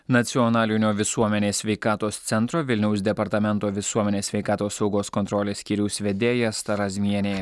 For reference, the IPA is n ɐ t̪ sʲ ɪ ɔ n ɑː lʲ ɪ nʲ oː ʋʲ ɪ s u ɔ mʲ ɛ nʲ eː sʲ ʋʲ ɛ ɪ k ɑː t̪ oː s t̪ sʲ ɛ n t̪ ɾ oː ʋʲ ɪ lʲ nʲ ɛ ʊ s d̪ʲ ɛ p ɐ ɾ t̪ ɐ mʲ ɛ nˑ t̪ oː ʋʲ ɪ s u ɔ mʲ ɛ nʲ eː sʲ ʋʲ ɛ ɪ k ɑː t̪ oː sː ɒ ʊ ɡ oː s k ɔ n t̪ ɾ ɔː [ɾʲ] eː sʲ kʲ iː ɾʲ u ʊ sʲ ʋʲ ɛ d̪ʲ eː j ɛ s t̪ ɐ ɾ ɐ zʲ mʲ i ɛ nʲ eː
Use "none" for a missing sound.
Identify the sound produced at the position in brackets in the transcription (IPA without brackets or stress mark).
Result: lʲ